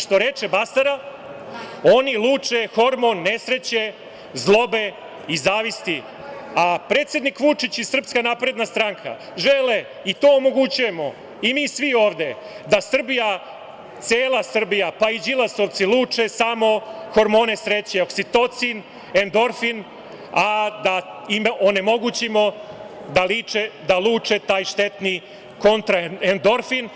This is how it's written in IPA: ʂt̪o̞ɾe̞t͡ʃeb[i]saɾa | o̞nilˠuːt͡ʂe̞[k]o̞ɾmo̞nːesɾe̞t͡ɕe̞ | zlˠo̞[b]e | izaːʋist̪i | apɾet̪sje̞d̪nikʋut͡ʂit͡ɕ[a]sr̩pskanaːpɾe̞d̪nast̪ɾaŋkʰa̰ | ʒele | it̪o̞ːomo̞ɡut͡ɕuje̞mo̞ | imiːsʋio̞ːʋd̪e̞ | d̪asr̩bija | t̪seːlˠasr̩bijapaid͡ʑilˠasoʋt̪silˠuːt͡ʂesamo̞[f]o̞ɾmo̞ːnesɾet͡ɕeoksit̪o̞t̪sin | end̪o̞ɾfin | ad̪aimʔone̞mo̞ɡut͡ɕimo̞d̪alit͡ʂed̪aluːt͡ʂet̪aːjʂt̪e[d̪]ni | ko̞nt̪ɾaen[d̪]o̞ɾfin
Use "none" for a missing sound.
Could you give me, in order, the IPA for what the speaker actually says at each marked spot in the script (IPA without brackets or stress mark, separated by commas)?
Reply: a, x, b, i, x, t̪, d̪